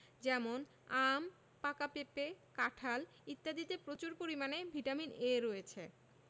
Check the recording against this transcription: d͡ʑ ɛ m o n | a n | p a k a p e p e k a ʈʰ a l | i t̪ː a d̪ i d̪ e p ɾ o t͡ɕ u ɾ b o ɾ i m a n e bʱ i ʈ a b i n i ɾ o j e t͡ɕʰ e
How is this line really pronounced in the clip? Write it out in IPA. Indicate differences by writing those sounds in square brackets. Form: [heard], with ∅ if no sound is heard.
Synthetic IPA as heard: d͡ʑ ɛ m o n | a [m] | p a k a p e p e k a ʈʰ a l | i t̪ː a d̪ i [t̪] e p ɾ o t͡ɕ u ɾ [p] o ɾ i m a n e bʱ i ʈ a [m] i n [e] ɾ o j e t͡ɕʰ e